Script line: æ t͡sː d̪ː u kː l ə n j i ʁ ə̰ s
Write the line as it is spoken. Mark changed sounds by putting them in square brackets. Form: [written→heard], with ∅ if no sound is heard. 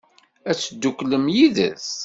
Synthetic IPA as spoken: æ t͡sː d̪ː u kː l ə [n→m] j i [ʁ→ð] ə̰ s